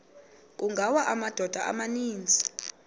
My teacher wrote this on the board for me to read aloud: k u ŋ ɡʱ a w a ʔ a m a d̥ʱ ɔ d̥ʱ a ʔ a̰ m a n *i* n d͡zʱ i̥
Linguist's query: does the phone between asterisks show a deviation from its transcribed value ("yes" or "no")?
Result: yes